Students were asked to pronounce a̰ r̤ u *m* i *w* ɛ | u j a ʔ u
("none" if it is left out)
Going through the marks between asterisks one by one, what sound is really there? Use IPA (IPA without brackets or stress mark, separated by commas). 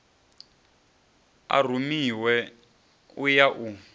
m, w